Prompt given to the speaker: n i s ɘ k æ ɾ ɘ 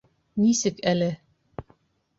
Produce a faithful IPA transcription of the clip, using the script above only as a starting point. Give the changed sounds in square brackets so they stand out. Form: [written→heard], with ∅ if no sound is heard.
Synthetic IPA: n i s ɘ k æ [ɾ→l] ɘ